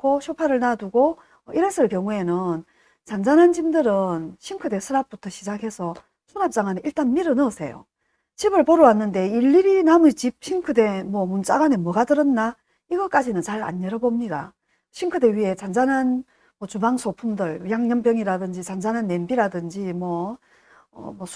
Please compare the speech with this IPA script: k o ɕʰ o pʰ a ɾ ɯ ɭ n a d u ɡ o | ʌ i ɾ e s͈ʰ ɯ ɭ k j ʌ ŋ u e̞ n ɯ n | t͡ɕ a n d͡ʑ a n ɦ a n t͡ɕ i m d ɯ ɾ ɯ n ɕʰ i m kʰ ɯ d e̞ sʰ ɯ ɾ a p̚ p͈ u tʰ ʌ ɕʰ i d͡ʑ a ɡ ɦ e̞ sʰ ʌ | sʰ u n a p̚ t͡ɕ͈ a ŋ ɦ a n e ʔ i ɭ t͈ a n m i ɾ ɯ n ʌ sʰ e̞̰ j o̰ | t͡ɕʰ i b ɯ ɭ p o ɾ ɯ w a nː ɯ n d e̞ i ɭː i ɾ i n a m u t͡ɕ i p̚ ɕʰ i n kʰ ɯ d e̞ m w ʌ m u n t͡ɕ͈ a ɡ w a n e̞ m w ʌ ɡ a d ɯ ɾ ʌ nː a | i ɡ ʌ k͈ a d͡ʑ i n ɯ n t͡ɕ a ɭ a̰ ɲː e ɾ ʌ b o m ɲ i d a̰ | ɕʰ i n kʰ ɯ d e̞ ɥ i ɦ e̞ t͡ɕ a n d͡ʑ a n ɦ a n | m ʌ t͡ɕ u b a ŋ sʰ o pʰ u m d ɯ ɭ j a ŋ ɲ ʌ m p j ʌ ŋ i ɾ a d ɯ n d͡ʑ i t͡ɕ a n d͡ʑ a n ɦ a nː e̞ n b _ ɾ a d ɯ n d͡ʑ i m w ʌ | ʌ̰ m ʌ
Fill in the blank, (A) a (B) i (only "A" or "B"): B